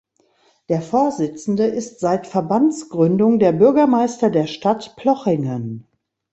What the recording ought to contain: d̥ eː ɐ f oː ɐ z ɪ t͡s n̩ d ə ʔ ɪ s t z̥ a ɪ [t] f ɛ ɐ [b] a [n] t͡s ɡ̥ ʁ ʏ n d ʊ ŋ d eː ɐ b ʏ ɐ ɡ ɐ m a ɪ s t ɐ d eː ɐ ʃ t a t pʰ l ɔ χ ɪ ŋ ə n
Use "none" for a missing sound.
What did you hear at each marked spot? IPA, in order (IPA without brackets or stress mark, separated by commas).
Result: t, b, n